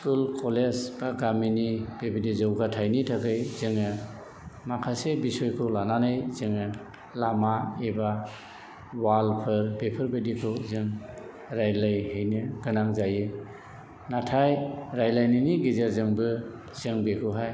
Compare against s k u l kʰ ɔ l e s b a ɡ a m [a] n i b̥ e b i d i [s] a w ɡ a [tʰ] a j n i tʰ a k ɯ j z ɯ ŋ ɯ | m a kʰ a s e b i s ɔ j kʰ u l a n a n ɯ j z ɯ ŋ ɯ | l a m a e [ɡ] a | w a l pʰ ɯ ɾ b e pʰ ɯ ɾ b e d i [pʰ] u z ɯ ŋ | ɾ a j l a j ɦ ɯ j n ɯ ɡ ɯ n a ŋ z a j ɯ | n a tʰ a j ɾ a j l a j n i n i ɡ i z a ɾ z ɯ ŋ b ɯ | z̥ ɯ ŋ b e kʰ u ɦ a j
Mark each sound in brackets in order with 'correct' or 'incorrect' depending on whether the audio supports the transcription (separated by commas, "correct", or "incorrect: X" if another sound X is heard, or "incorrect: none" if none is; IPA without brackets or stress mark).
incorrect: i, incorrect: z, correct, incorrect: b, incorrect: kʰ